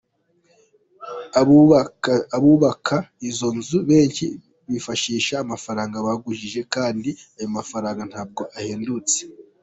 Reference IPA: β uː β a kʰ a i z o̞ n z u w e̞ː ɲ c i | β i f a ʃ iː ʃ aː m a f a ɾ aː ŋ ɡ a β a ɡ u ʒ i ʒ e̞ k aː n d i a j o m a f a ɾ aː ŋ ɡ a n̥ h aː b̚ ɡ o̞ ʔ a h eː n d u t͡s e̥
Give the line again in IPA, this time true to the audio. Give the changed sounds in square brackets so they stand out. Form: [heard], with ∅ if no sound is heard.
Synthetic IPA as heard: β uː β a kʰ a i z o̞ n z u [β] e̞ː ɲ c i | β i f a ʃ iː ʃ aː m a f a ɾ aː ŋ ɡ a β a ɡ u ʒ i ʒ e̞ k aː n d i a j o m a f a ɾ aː ŋ ɡ a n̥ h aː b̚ ɡ o̞ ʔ a h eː n d u t͡s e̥